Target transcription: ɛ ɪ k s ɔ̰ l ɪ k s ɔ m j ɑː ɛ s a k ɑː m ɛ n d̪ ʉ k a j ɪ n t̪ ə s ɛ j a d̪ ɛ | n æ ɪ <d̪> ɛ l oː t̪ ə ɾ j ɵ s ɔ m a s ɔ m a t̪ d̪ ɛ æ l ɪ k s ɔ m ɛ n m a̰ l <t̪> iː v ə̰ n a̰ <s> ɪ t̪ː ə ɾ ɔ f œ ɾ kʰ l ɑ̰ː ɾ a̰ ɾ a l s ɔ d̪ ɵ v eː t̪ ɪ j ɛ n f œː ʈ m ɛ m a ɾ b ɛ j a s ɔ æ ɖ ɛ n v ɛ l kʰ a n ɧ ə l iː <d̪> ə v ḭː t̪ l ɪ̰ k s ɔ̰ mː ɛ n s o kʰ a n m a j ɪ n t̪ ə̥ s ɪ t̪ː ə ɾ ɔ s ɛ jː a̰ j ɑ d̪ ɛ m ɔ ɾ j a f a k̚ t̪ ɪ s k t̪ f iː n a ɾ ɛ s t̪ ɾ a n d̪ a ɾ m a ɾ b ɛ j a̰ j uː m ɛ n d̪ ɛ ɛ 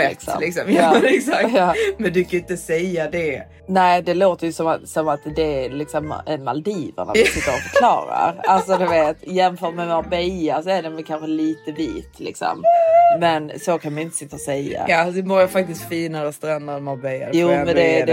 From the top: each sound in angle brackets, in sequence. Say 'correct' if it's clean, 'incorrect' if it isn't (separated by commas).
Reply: correct, incorrect, correct, incorrect